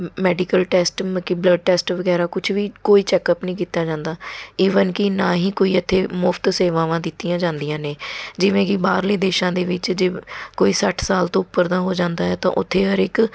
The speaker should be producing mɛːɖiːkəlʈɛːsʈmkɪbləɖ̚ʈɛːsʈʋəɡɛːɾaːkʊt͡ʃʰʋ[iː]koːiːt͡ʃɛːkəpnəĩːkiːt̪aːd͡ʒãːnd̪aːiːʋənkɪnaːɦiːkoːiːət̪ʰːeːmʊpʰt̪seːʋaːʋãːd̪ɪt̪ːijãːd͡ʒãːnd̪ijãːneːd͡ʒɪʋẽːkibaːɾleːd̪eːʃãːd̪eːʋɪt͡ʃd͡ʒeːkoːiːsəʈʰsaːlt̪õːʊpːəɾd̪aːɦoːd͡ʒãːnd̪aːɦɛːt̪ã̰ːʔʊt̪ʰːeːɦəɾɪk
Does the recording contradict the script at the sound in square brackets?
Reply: no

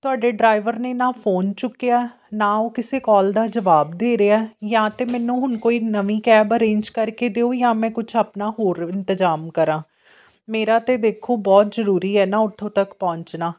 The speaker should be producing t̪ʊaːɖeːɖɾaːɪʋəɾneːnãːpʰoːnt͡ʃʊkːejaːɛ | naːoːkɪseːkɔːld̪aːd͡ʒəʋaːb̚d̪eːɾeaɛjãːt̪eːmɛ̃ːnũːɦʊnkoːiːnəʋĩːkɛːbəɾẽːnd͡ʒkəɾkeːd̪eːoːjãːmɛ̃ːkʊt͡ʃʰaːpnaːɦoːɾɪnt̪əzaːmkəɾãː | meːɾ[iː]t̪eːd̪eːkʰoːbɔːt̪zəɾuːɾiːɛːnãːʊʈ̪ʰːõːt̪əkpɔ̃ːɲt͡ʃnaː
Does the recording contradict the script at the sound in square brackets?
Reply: yes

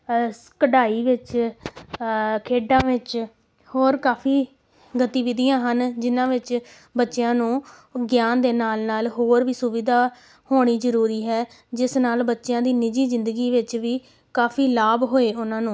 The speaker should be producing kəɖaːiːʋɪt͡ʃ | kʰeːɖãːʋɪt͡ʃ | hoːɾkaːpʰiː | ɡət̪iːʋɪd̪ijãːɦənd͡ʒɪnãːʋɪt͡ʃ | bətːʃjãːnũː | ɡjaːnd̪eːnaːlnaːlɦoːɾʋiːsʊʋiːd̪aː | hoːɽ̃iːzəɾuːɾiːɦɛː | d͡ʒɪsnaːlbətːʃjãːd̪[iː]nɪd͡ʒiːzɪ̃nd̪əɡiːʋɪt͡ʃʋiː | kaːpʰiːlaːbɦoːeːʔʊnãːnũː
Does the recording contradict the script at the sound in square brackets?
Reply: no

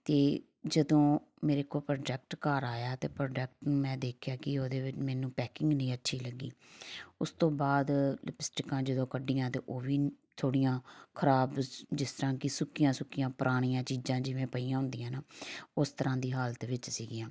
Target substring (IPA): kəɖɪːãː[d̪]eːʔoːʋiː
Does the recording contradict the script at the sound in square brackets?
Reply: yes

